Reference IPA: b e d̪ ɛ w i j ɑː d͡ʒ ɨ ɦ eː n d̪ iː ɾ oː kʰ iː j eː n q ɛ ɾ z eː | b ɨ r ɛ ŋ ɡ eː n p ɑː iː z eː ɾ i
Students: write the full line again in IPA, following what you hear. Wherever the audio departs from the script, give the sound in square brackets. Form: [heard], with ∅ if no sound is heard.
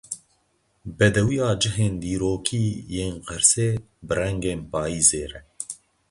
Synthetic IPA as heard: b [ɛ] d̪ ɛ w i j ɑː d͡ʒ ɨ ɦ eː n d̪ iː ɾ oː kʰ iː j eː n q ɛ ɾ [s] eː | b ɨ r ɛ ŋ ɡ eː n p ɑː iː z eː ɾ [ɛ]